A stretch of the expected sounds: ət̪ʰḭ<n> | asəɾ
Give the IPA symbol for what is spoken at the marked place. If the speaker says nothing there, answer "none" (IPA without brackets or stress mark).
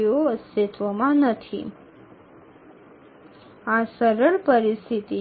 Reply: none